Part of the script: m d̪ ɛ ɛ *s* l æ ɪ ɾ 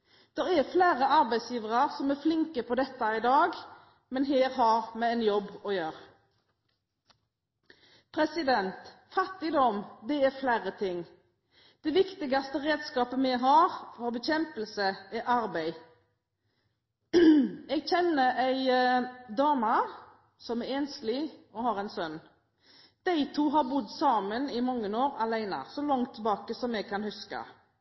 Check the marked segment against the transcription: incorrect: f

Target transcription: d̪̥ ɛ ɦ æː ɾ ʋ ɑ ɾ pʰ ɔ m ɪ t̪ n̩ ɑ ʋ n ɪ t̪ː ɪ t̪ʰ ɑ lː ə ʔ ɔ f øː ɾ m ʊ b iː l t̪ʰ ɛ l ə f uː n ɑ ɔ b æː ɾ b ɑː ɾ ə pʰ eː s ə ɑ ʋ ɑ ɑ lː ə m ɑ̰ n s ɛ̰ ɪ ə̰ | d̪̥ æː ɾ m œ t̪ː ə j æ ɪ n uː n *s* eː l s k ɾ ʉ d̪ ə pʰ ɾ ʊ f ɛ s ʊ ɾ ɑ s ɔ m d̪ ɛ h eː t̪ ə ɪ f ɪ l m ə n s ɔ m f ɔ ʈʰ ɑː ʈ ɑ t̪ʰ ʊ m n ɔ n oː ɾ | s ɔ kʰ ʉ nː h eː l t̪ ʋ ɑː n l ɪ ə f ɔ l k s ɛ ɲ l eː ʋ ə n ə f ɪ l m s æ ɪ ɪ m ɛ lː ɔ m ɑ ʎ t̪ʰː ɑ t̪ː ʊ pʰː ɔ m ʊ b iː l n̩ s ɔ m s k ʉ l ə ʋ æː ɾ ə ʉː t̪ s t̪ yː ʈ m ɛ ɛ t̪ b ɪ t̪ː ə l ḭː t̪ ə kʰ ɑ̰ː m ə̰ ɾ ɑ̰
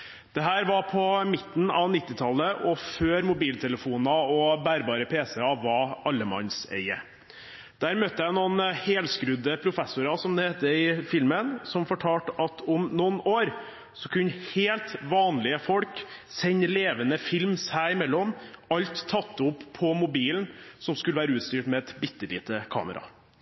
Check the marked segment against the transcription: incorrect: h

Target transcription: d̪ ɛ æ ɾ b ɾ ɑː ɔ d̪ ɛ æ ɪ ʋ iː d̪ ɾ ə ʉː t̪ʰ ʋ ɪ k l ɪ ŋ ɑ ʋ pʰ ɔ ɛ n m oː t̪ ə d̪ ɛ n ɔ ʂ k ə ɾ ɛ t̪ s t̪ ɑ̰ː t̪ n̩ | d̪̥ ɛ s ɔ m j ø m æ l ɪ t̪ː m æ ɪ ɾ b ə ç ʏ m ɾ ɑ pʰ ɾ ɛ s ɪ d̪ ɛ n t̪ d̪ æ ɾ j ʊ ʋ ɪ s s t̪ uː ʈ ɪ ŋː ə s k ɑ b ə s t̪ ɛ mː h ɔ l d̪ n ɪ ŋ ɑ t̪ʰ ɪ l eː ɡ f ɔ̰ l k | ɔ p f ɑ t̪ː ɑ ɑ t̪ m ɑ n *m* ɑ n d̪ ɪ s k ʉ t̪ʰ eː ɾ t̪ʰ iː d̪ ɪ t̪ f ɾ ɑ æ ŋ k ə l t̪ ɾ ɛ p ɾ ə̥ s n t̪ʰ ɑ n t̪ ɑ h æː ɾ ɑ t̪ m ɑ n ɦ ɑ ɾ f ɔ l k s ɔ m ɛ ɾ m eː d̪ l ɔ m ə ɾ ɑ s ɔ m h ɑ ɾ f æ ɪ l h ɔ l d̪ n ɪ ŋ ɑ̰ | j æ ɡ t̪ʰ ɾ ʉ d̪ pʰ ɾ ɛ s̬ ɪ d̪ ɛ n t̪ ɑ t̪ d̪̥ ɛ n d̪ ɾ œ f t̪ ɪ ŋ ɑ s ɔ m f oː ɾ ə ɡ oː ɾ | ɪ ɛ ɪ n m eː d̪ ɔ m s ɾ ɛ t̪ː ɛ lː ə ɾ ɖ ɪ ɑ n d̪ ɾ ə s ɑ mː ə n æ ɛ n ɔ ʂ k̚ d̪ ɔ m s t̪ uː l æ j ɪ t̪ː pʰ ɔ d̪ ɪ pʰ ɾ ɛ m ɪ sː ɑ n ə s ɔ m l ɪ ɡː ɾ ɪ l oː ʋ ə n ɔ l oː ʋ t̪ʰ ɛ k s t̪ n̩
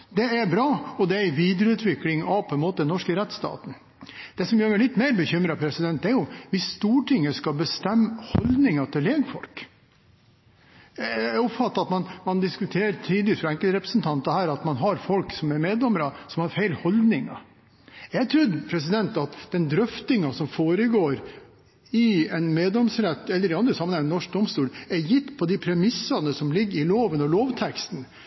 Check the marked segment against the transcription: correct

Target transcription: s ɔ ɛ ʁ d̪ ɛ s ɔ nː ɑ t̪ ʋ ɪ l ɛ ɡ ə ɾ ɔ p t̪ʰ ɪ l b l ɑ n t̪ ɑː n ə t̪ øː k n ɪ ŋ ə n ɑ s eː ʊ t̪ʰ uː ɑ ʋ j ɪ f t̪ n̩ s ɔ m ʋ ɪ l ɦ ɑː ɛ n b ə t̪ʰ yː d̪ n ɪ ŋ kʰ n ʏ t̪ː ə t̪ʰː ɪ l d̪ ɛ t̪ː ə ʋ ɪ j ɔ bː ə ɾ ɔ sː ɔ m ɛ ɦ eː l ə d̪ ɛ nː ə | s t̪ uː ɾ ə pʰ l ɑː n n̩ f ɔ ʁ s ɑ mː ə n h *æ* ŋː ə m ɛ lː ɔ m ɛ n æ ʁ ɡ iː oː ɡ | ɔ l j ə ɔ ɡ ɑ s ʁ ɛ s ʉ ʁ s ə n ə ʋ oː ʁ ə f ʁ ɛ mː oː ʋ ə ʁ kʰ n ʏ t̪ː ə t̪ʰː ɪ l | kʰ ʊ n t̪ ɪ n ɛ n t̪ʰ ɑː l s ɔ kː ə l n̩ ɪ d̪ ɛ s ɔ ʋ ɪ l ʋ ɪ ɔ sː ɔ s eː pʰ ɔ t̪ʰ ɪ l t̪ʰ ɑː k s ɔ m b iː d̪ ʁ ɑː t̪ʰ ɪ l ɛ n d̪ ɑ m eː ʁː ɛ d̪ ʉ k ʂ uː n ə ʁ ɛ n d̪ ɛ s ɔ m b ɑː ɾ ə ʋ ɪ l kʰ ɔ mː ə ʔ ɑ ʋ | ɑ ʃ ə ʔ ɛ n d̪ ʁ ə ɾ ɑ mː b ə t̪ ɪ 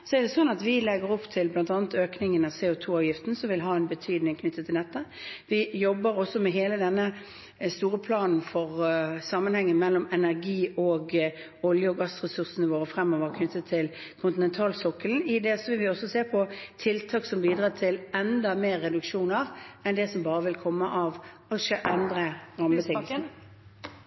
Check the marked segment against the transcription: incorrect: ɛ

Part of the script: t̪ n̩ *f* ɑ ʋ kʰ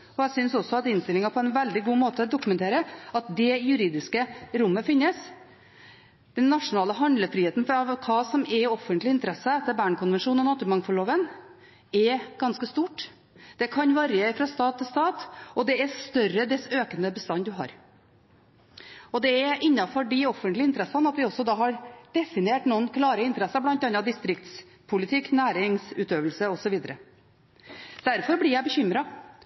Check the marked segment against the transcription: correct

